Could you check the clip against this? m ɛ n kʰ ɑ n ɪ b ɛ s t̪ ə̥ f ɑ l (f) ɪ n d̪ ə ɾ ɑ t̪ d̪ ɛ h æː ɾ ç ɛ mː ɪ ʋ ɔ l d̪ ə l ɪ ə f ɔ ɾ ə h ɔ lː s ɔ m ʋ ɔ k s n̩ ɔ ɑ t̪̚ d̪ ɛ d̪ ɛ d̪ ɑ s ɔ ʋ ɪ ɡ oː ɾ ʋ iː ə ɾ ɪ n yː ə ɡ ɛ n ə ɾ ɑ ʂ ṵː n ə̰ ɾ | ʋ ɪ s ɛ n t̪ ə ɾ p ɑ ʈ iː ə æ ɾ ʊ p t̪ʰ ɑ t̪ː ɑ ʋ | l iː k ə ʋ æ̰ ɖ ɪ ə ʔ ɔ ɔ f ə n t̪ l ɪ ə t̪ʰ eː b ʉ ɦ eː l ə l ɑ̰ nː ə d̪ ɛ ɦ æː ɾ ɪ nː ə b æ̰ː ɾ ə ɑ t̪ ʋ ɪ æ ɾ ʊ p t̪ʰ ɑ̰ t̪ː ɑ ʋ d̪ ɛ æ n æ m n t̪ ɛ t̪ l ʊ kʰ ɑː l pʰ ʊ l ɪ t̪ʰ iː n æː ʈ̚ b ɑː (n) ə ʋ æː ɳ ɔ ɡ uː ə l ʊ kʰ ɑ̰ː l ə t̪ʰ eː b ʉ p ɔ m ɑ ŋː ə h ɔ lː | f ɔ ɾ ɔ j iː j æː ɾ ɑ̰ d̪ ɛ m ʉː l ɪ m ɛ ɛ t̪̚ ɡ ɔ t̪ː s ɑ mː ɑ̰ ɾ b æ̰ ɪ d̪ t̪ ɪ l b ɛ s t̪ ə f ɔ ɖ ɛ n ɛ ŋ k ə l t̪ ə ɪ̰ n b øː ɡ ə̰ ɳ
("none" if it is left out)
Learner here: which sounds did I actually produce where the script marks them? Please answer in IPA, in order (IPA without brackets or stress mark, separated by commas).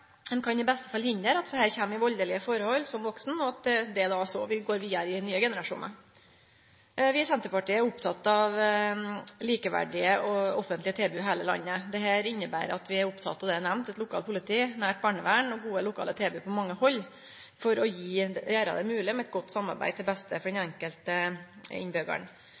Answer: h, ɳ